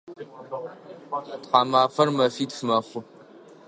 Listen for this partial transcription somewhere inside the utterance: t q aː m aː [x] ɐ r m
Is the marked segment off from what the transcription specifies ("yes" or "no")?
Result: yes